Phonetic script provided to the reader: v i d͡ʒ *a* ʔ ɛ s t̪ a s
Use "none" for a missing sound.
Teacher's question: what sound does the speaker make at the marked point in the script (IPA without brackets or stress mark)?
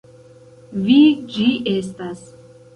i